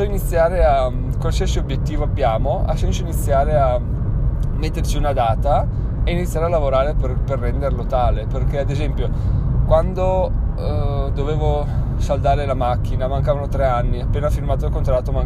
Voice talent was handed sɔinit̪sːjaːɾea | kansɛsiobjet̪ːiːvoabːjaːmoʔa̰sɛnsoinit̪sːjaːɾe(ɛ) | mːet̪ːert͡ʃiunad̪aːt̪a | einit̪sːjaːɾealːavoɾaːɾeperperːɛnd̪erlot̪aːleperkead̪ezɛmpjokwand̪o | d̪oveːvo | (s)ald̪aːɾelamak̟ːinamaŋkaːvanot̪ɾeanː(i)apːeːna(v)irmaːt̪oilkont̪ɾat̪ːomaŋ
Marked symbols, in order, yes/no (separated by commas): no, yes, yes, no